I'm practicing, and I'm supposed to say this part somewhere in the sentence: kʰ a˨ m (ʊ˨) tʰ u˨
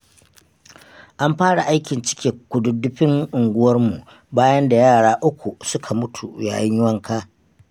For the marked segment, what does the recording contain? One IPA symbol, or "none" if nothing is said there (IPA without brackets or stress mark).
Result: ʊ˦